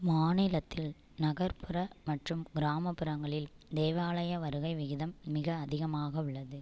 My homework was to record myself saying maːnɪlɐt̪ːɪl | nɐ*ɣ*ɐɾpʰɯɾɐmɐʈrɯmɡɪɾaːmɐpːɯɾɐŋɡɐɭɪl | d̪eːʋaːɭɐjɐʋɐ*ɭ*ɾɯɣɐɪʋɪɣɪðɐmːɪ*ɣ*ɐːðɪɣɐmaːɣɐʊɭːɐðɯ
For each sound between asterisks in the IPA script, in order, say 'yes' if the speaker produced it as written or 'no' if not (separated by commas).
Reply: yes, no, yes